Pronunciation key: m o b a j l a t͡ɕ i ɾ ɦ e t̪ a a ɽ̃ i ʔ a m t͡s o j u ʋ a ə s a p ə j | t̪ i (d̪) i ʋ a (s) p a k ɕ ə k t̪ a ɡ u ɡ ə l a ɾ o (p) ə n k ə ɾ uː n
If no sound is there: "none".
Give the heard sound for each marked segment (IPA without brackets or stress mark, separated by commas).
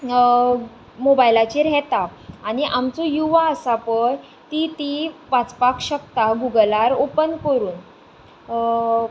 t̪, t͡s, p